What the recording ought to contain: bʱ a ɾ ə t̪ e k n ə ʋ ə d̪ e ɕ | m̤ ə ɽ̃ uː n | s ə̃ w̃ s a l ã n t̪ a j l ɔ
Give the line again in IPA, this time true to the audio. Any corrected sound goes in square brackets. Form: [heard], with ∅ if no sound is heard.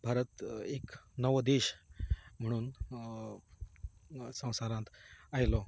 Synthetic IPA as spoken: bʱ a ɾ ə t̪ e k n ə ʋ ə d̪ e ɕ | m̤ ə ɽ̃ uː n | s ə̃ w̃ s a [ɾ] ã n t̪ a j l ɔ